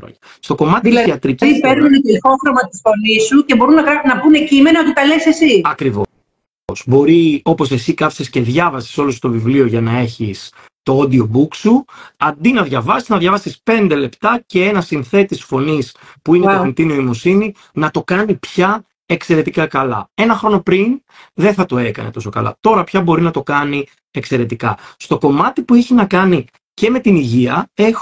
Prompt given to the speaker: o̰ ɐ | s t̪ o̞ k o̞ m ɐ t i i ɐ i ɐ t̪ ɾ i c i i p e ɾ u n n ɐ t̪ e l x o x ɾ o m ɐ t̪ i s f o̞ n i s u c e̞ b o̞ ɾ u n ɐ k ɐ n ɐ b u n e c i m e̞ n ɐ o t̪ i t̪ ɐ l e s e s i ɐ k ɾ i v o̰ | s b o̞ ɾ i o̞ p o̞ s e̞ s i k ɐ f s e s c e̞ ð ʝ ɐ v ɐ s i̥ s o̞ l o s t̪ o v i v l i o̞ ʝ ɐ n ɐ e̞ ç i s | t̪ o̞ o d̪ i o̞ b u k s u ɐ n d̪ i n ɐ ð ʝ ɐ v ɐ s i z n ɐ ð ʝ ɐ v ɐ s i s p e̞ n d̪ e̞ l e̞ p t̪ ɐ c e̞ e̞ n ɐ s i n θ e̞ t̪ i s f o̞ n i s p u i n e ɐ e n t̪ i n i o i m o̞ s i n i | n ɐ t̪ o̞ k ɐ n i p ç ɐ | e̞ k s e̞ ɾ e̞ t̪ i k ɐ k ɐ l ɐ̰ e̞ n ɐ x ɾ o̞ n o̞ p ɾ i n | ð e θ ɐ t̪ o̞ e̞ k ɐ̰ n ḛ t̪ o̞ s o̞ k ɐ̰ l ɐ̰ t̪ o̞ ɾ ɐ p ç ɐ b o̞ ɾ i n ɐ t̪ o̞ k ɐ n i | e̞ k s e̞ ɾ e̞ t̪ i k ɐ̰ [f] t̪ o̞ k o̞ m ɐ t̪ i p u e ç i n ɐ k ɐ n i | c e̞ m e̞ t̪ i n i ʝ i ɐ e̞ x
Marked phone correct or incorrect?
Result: incorrect